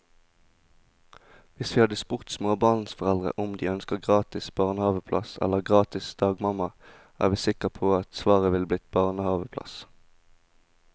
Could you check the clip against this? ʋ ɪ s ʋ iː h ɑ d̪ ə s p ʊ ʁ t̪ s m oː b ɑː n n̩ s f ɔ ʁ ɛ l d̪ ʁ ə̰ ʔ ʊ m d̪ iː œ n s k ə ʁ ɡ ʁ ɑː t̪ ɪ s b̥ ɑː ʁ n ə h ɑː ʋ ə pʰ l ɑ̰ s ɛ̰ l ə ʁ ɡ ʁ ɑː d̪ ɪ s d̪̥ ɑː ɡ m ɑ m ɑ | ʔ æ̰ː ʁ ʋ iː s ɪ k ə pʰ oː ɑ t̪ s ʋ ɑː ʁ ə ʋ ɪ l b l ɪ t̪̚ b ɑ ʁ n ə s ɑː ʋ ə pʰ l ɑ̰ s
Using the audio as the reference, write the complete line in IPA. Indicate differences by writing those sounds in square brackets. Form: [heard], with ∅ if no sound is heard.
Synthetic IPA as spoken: ʋ ɪ s ʋ iː h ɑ d̪ ə s p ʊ ʁ t̪ s m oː b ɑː n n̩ s f ɔ ʁ ɛ l d̪ ʁ ə̰ ʔ ʊ m d̪ iː œ n s k ə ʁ ɡ ʁ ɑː t̪ ɪ s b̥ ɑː ʁ n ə h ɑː ʋ ə pʰ l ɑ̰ s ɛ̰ l ə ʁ ɡ ʁ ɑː [t̪] ɪ s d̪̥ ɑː ɡ m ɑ m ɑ | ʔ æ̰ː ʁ ʋ iː s ɪ k ə pʰ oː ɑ t̪ s ʋ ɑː ʁ ə ʋ ɪ l b l ɪ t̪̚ b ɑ ʁ n ə [h] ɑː ʋ ə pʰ l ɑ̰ s